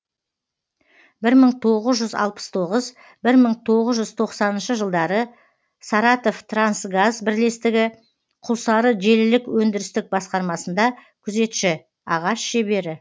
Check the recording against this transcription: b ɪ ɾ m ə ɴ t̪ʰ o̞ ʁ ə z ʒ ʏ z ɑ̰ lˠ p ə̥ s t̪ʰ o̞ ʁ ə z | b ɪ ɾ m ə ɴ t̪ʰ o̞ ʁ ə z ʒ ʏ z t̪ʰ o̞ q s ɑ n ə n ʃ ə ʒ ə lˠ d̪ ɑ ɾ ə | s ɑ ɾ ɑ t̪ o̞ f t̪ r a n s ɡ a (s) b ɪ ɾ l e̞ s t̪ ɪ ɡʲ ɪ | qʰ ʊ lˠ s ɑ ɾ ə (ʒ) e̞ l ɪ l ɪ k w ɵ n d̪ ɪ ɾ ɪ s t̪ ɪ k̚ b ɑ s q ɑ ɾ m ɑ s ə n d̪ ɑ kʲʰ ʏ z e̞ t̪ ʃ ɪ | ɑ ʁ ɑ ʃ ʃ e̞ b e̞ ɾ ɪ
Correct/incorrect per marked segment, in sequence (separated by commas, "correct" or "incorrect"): incorrect, correct